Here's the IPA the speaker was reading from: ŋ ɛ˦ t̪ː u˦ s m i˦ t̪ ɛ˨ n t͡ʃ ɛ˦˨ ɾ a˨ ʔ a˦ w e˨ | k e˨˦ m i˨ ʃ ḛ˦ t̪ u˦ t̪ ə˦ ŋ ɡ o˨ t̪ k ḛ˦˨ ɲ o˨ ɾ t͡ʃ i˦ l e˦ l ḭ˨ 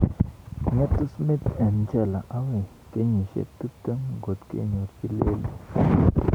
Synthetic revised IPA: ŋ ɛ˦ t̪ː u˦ s m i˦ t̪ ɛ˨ n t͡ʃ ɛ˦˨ l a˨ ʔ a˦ w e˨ | k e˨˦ ɲ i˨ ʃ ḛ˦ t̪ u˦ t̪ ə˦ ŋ ɡ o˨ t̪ k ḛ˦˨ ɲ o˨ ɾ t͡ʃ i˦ l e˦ l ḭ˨